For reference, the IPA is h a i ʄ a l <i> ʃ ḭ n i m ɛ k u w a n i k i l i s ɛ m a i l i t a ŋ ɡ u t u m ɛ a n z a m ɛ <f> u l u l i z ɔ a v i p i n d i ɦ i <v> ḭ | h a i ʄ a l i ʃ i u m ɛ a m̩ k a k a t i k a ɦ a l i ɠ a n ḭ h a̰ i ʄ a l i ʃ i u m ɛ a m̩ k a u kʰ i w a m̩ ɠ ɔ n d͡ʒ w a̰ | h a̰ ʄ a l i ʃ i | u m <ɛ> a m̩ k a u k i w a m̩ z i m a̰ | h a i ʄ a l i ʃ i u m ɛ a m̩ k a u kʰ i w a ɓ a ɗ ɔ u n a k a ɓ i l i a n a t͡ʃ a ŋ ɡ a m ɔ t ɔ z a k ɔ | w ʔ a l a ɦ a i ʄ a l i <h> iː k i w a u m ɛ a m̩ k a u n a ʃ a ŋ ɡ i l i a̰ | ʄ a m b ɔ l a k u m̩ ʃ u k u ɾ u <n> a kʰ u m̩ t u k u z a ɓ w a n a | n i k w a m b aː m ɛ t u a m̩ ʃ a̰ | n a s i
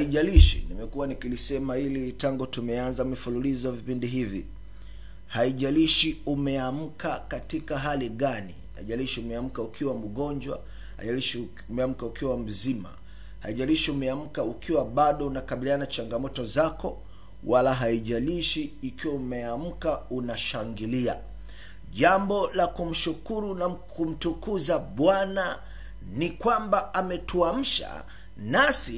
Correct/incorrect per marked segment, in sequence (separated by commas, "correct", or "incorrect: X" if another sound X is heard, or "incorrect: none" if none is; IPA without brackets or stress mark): correct, correct, correct, correct, incorrect: ʃ, correct